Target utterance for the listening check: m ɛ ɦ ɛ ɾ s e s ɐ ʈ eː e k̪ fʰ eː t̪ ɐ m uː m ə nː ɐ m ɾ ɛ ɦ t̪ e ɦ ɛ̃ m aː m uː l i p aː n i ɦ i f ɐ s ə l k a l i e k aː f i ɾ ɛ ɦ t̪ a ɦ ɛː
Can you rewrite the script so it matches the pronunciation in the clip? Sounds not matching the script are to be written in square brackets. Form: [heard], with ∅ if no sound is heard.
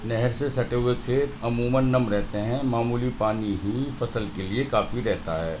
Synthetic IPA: [n] ɛ ɦ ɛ ɾ s e s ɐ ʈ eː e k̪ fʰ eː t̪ ɐ m uː m ə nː ɐ m ɾ ɛ ɦ t̪ e ɦ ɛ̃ m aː m uː l i p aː n i ɦ i f ɐ s ə l k [e] l i e k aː f i ɾ ɛ ɦ t̪ a ɦ ɛː